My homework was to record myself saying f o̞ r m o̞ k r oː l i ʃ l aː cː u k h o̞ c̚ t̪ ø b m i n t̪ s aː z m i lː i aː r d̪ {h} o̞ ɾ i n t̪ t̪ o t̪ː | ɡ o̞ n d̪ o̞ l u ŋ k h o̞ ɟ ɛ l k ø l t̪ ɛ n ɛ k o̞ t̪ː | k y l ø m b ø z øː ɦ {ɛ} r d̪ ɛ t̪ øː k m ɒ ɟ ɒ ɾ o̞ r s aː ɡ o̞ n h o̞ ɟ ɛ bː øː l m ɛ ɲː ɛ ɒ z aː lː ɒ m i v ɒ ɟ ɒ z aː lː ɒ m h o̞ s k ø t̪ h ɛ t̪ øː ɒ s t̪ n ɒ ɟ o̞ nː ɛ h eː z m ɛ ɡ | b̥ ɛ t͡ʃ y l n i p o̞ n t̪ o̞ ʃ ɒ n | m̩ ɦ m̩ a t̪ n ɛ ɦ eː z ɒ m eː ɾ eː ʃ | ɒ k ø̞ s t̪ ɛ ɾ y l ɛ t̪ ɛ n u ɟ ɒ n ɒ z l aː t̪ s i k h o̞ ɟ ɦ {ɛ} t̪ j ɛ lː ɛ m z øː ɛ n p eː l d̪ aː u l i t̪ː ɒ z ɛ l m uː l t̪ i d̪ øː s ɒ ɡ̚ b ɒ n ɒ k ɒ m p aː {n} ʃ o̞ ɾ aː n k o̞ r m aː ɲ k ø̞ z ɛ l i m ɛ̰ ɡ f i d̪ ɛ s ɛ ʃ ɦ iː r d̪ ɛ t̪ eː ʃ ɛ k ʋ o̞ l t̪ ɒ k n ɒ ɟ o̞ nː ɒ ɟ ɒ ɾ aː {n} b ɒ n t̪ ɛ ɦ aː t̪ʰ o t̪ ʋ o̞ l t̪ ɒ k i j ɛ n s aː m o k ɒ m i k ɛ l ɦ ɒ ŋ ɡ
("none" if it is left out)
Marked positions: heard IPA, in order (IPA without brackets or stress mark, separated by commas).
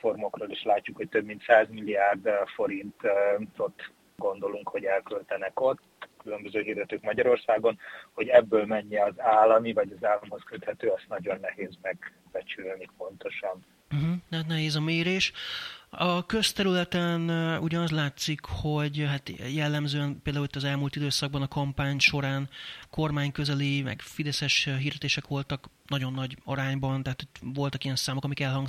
f, i, a, ɲ, ɲ